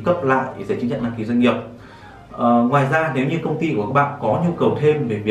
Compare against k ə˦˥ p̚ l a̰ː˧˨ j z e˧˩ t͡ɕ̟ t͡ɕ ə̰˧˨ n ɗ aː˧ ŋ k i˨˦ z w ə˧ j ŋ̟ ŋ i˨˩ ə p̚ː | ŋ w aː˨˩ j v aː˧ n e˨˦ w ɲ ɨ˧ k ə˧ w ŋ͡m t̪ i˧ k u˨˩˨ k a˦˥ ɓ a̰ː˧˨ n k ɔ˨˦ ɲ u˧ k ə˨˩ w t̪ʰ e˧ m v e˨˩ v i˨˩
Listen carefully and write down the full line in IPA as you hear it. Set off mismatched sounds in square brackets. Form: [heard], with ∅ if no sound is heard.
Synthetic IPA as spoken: k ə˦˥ p̚ l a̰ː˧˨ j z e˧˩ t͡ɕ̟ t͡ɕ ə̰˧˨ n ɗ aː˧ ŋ k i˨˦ z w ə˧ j ŋ̟ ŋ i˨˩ ə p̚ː | ŋ w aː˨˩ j [z] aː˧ n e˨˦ w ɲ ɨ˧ k ə˧ w ŋ͡m t̪ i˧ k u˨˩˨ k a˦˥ ɓ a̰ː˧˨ n k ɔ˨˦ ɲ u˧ k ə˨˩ w t̪ʰ e˧ m v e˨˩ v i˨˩